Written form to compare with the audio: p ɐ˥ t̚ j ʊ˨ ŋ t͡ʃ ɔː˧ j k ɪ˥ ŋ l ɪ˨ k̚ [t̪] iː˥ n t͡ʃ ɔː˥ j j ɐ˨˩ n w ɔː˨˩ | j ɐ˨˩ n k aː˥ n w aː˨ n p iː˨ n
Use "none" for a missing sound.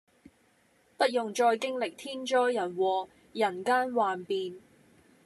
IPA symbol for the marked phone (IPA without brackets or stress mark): t̪ʰ